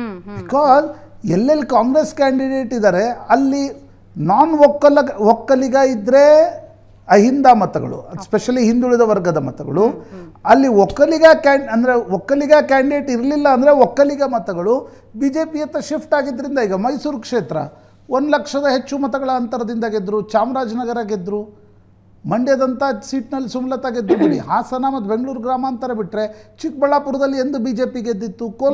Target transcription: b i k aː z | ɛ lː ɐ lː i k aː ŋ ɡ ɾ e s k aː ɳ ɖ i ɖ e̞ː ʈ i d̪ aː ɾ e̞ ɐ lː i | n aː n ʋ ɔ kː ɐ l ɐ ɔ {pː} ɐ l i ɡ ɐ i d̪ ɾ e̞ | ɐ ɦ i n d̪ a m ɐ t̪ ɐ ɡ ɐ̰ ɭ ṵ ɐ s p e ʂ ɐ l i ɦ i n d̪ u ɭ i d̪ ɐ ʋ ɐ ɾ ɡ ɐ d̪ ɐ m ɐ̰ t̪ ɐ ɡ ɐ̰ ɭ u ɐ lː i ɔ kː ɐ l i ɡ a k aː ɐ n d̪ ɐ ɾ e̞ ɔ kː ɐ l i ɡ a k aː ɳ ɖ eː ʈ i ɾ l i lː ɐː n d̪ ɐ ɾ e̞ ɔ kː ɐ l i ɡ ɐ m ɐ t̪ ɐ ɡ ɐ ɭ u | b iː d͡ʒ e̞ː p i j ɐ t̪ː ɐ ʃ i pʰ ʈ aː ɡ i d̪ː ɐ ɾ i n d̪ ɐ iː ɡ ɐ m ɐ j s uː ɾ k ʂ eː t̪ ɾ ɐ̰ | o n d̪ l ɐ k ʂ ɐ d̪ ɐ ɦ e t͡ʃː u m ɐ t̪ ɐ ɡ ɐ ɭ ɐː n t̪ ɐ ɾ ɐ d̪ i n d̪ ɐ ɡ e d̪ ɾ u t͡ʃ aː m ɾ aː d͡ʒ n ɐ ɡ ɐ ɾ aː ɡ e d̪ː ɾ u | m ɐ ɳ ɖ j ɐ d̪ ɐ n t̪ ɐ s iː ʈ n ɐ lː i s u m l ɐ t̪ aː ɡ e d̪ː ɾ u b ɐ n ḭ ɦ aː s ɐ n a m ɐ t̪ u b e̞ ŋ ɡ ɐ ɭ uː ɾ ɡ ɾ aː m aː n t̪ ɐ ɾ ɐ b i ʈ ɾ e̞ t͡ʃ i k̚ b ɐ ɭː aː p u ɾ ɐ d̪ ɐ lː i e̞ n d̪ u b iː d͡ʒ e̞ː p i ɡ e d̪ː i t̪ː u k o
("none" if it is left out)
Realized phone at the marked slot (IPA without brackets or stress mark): kː